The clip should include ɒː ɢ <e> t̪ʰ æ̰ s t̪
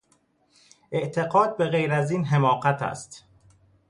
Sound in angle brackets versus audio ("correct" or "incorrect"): incorrect